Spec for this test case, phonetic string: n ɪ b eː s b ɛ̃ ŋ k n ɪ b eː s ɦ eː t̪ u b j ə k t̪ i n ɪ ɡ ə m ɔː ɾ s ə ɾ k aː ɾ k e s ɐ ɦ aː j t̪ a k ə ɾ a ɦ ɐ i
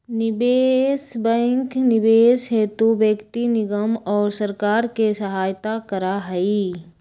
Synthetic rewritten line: n ɪ b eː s b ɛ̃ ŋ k n ɪ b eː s ɦ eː t̪ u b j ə k t̪ i n ɪ ɡ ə m ɔː ɾ s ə ɾ k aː ɾ k e s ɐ ɦ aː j t̪ a k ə ɾ a ɦ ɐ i